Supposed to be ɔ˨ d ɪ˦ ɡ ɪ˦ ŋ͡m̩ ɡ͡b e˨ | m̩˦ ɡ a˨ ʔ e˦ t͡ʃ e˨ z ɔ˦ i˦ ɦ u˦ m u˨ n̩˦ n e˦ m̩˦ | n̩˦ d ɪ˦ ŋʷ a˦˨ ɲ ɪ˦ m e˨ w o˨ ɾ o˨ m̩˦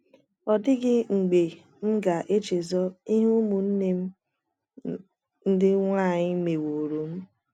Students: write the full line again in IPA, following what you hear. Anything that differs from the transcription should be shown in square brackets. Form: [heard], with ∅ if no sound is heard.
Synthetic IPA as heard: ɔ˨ d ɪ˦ ɡ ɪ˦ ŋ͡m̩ ɡ͡b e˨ | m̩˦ ɡ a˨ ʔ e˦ t͡ʃ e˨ z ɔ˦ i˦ ɦ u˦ m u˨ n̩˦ n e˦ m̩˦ | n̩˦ d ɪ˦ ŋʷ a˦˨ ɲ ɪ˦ m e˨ w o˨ ɾ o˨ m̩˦